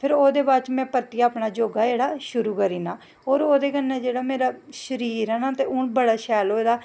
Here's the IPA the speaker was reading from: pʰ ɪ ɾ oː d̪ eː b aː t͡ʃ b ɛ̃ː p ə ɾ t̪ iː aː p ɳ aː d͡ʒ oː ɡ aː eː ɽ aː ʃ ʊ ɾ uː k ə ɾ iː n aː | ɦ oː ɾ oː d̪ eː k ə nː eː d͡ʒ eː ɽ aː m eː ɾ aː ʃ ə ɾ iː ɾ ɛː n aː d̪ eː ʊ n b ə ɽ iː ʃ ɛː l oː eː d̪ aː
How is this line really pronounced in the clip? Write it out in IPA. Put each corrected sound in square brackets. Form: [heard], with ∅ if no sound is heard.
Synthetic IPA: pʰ ɪ ɾ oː d̪ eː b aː t͡ʃ [m] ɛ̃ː p ə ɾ t̪ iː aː p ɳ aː d͡ʒ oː ɡ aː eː ɽ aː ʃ ʊ ɾ uː k ə ɾ iː n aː | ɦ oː ɾ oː d̪ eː k ə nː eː d͡ʒ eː ɽ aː m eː ɾ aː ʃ ə ɾ iː ɾ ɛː n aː [t̪] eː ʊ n b ə ɽ [aː] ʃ ɛː l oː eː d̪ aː